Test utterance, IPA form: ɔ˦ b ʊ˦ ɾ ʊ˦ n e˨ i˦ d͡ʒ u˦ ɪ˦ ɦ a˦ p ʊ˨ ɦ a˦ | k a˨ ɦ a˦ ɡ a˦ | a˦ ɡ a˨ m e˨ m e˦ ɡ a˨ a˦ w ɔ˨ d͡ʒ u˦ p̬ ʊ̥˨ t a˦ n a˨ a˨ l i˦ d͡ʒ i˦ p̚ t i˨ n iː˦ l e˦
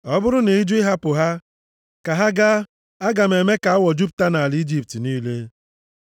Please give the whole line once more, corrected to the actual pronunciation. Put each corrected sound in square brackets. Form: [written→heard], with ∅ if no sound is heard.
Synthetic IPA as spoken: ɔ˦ b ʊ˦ ɾ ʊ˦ n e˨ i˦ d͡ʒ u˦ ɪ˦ ɦ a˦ p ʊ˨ ɦ a˦ | k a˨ ɦ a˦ ɡ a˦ | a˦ ɡ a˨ m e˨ m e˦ [ɡ→k] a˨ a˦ w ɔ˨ d͡ʒ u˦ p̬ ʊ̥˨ t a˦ n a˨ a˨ l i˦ d͡ʒ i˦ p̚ t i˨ n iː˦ l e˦